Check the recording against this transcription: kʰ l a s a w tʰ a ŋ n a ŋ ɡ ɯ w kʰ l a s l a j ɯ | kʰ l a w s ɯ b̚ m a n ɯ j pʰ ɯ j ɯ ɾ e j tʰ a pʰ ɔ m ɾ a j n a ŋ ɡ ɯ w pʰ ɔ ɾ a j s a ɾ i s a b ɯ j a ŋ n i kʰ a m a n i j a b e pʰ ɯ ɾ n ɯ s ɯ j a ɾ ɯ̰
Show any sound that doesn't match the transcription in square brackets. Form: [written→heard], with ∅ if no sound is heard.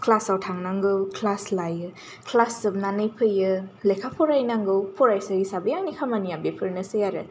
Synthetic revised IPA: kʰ l a s a w tʰ a ŋ n a ŋ ɡ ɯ w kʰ l a s l a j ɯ | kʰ l a [w→∅] s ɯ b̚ [m→n] a n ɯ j pʰ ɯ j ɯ [ɾ→l] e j [tʰ→kʰ] a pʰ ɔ [m→∅] ɾ a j n a ŋ ɡ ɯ w pʰ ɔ ɾ a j s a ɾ i s a b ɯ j a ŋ n i kʰ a m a n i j a b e pʰ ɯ ɾ n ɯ s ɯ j a ɾ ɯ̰